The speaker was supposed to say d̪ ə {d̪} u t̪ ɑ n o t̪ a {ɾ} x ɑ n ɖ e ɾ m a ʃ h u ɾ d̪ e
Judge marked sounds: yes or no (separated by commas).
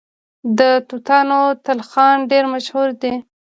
no, no